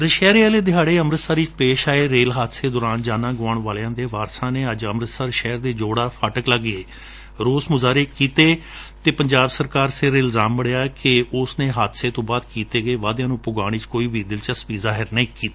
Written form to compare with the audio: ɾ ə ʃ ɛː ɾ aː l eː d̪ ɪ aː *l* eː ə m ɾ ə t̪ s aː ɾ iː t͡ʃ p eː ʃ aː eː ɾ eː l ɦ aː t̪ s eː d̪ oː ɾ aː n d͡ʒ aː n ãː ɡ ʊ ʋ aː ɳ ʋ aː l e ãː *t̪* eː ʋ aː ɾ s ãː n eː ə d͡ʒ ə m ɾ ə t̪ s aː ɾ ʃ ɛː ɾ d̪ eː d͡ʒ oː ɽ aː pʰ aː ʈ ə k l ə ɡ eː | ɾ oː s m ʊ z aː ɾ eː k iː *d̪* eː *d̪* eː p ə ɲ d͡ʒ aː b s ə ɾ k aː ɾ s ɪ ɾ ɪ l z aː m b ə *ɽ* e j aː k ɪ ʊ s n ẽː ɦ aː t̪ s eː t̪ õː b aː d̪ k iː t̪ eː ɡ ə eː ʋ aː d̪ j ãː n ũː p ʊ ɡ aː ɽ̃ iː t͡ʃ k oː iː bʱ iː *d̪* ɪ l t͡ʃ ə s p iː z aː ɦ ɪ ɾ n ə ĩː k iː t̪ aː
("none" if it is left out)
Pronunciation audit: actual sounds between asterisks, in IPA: ɽ, d̪, t̪, t̪, ɽ, d̪

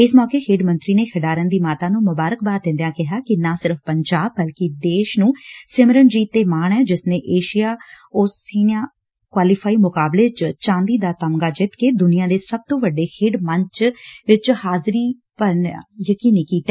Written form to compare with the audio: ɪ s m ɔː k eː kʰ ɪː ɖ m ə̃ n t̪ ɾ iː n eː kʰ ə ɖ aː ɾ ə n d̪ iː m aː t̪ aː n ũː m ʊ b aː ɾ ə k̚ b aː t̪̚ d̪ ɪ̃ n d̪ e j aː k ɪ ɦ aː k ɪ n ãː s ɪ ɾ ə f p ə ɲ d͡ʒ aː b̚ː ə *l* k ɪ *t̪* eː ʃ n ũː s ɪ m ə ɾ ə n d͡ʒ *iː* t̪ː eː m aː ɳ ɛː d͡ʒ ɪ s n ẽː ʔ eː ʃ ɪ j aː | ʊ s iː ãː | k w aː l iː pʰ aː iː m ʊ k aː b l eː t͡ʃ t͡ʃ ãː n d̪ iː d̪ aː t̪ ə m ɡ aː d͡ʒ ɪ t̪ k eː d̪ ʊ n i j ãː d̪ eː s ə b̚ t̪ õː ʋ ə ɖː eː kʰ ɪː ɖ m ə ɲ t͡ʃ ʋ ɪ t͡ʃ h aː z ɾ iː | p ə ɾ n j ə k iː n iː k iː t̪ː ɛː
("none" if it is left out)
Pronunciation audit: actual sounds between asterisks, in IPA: l, d̪, iː

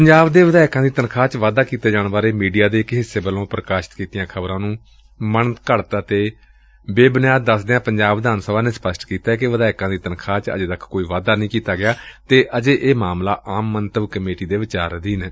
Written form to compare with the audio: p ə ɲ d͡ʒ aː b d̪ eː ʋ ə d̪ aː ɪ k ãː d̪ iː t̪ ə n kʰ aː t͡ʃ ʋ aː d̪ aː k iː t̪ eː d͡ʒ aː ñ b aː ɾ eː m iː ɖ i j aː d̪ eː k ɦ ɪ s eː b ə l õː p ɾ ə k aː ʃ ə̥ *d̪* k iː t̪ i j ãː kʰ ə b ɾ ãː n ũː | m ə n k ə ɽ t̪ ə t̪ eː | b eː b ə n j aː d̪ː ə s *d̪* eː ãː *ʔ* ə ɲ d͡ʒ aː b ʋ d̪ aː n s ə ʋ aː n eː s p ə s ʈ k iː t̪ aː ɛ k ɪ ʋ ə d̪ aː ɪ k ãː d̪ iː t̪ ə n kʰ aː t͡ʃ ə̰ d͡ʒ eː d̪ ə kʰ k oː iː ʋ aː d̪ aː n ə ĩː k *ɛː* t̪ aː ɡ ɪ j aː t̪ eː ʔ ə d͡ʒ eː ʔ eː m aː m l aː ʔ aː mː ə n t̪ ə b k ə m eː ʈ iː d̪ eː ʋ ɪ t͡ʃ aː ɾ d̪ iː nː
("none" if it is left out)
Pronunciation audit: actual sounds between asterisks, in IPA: t̪, d̪, p, iː

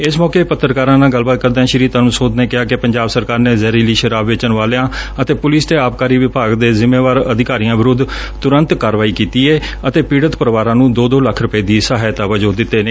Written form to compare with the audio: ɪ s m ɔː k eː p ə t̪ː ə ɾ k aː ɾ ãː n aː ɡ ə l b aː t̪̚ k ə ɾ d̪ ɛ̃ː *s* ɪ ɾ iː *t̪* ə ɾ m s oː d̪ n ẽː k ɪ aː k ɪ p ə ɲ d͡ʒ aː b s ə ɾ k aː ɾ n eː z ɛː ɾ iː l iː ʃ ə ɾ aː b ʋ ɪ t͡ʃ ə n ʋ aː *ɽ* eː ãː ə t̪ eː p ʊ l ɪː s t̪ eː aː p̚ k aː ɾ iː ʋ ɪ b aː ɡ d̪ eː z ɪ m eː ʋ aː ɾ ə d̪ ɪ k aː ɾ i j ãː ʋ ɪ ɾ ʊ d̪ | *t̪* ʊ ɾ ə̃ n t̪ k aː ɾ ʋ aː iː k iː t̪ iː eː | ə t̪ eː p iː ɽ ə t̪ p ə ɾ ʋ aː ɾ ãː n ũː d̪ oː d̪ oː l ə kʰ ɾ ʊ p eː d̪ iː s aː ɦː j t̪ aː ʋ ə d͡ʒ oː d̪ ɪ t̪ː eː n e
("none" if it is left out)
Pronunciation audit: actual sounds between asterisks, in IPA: ʃ, t̪, l, t̪

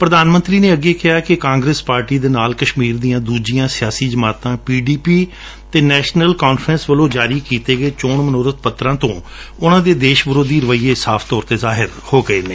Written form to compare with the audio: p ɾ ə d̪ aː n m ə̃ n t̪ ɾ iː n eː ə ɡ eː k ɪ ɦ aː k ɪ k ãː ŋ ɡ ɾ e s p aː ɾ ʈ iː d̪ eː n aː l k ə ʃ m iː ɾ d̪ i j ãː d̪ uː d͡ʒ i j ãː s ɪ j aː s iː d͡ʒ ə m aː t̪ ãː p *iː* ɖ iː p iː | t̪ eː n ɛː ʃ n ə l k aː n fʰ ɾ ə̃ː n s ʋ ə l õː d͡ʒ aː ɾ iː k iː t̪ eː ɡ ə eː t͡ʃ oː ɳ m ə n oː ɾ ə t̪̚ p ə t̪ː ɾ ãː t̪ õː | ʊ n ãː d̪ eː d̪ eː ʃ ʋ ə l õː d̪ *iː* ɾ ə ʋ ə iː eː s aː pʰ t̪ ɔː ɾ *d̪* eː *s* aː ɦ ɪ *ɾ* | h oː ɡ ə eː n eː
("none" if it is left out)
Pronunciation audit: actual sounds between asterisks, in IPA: iː, iː, t̪, z, ɾ

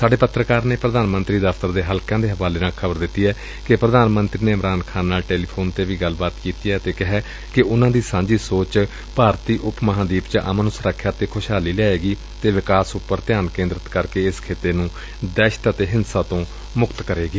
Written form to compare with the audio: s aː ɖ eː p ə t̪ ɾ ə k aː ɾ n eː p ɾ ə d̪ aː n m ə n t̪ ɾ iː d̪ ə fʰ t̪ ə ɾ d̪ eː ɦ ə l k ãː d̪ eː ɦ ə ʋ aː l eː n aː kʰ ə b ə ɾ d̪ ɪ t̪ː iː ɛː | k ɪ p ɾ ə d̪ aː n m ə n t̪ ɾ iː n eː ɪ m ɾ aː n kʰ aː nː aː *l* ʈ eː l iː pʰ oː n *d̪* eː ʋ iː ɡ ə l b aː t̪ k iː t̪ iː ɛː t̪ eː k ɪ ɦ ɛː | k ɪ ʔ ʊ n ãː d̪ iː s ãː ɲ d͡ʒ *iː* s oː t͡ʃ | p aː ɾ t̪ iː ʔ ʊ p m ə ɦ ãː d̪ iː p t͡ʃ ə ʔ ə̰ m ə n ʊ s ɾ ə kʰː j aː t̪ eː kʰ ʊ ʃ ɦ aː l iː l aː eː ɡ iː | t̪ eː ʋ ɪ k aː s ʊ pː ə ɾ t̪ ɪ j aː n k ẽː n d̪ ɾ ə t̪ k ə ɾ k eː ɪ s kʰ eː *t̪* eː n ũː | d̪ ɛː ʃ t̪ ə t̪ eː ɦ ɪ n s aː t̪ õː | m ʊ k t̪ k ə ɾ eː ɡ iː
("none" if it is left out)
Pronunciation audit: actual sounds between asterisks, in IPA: l, t̪, iː, t̪

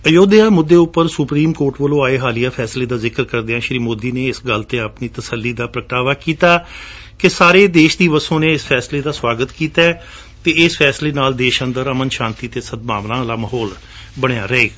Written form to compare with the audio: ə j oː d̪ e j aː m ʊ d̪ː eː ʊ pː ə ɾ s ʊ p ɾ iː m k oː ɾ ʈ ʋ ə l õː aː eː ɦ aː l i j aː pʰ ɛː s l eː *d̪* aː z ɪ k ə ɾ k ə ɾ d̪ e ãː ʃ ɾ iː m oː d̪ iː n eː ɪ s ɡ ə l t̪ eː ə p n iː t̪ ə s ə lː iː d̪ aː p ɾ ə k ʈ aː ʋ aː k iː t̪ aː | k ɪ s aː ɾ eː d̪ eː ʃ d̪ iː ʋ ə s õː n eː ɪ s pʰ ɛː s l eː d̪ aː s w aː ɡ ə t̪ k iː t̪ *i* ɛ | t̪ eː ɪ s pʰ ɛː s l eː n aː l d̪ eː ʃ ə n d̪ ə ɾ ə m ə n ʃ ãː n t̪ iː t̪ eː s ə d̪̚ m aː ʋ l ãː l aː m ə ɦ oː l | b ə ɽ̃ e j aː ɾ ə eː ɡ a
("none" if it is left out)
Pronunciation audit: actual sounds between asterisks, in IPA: d̪, a

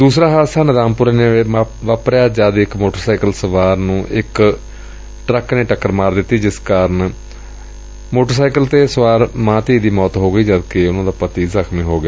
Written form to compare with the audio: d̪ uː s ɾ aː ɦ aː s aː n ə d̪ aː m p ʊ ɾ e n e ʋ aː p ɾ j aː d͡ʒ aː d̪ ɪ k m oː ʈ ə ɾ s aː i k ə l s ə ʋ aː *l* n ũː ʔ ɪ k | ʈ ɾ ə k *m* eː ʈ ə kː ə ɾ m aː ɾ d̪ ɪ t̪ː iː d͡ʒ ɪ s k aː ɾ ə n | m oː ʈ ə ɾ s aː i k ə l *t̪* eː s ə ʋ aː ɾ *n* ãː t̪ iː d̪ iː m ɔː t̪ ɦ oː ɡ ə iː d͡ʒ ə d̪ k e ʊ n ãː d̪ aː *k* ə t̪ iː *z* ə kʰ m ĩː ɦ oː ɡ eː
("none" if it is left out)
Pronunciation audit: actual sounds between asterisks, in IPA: ɾ, n, t̪, m, p, z

